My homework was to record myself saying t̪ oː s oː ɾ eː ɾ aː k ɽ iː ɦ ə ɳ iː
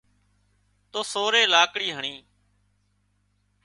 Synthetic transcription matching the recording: t̪ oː s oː ɾ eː l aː k ɽ iː ɦ ə ɳ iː